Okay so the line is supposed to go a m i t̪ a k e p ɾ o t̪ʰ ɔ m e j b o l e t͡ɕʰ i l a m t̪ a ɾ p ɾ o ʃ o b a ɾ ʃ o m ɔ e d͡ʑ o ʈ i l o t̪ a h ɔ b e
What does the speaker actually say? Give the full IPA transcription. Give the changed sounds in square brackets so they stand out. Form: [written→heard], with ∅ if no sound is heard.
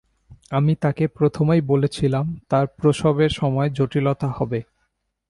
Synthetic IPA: a m i t̪ a k e p ɾ o t̪ʰ [ɔ→o] m e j b o l e t͡ɕʰ i l a m t̪ a ɾ p ɾ o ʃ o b [a→e] ɾ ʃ [o→ɔ] m ɔ e d͡ʑ o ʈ i l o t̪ a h ɔ b e